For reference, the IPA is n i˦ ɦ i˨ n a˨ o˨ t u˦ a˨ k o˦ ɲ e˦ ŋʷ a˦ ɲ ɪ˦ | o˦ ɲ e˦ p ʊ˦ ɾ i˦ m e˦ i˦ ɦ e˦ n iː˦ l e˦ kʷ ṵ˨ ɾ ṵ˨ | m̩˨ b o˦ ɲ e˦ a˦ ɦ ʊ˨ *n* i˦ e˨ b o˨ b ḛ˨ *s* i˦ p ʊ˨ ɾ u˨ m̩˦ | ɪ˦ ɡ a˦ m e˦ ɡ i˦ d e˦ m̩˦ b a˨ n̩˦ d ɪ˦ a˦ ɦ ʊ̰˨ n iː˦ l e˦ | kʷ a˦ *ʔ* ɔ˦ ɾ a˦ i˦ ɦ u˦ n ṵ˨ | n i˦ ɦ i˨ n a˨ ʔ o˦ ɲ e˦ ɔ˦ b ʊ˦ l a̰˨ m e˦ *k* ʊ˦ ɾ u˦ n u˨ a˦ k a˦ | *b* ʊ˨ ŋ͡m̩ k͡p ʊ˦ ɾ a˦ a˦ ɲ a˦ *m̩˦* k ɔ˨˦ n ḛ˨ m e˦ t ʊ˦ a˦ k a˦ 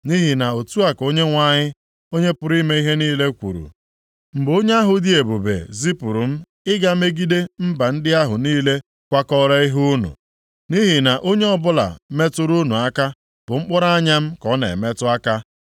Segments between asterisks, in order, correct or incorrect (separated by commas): incorrect, incorrect, incorrect, incorrect, correct, correct